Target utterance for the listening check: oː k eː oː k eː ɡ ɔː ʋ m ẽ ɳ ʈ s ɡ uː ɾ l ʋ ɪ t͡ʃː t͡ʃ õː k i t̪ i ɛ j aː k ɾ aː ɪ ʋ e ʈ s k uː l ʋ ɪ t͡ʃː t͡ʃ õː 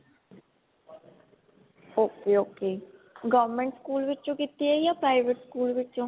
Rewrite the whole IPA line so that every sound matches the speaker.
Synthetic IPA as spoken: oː k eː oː k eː ɡ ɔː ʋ m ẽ ɳ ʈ s k uː l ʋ ɪ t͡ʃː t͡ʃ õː k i t̪ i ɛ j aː p ɾ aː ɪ ʋ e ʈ s k uː l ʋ ɪ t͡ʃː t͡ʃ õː